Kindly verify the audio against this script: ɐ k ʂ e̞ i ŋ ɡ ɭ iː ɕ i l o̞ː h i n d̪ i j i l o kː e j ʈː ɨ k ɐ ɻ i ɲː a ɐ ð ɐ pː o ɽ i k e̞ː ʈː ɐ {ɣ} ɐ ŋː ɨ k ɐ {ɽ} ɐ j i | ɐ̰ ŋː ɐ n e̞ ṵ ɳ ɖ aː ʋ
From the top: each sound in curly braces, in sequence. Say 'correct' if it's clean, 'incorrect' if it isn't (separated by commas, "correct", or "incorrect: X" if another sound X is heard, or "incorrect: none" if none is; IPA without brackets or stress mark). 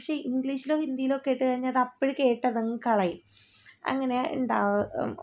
incorrect: ð, incorrect: ɭ